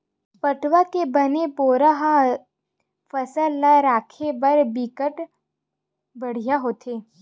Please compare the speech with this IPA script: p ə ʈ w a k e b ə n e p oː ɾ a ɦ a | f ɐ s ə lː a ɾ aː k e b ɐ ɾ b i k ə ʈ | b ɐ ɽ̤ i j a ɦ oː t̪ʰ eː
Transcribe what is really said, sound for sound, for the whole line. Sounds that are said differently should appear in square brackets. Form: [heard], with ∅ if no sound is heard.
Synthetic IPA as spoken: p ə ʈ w a k e b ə n e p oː ɾ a ɦ a | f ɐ s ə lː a ɾ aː [kʰ] e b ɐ ɾ b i k ə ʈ | b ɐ ɽ̤ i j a ɦ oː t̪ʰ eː